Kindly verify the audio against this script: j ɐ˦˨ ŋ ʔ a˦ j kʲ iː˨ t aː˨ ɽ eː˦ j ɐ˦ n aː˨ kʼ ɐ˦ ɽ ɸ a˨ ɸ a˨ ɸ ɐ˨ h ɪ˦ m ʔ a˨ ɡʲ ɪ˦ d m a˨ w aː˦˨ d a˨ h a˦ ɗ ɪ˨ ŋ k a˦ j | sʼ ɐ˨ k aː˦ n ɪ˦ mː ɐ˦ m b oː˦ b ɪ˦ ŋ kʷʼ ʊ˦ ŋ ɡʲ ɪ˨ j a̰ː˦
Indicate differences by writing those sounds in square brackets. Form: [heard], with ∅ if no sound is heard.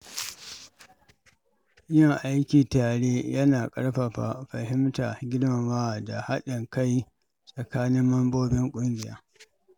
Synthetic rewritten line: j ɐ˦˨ ŋ ʔ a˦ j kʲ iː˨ t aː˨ ɽ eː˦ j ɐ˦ n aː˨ kʼ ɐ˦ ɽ ɸ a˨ ɸ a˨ ɸ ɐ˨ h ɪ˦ m [t] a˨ ɡʲ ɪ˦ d m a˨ w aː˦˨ d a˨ h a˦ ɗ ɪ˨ ŋ k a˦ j | sʼ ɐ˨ k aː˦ n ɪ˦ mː ɐ˦ m b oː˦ b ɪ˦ ŋ kʷʼ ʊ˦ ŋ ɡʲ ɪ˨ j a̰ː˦